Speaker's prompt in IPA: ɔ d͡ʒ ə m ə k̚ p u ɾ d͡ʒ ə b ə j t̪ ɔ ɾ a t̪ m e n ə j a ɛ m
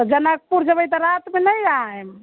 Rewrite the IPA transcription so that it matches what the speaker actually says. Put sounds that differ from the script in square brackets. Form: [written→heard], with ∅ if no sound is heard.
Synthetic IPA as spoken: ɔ d͡ʒ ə [m→n] ə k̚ p u ɾ d͡ʒ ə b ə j t̪ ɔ ɾ a t̪ m e n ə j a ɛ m